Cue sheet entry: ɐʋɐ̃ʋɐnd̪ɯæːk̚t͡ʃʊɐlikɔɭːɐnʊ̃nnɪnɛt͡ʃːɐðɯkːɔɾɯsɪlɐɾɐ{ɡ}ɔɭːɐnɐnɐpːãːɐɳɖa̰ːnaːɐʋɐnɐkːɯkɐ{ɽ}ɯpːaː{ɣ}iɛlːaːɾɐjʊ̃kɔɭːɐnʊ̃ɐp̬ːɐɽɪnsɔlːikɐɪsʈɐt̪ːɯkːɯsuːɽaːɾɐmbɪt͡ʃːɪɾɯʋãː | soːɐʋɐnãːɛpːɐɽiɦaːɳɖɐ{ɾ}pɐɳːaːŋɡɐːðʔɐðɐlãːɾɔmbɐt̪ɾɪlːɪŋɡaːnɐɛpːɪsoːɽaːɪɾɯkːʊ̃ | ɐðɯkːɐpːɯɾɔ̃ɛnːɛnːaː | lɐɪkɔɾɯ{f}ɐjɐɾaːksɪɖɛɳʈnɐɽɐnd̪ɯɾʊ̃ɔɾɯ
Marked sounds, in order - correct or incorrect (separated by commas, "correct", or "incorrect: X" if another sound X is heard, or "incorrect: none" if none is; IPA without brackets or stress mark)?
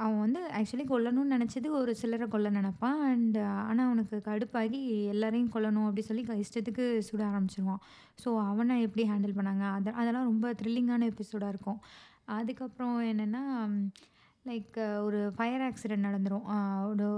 incorrect: k, correct, correct, incorrect: l, correct